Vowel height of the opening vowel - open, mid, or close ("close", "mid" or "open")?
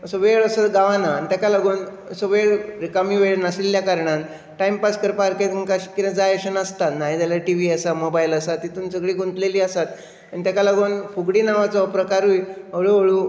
mid